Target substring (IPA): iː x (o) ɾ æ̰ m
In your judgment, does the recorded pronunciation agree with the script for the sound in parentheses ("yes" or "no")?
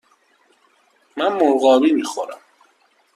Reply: yes